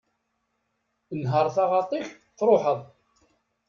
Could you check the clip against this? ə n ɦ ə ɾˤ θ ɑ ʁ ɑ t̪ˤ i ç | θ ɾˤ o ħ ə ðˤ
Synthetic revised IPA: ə n ɦ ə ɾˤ θ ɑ ʁ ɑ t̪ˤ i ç | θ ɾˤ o ħ ə ðˤ